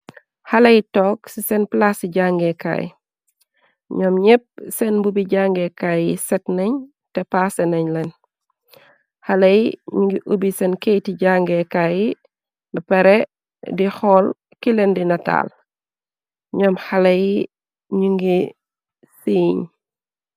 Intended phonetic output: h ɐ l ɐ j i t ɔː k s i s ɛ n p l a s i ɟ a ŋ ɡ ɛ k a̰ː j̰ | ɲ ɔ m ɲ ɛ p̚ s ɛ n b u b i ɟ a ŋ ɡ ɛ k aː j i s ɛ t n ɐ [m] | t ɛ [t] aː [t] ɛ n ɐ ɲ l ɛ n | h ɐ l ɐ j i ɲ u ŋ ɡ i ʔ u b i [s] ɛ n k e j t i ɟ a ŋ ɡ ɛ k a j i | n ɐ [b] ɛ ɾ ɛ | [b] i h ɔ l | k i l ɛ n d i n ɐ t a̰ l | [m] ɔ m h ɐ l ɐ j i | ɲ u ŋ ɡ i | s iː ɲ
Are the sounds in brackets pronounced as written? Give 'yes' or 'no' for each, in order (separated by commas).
no, no, no, yes, no, no, no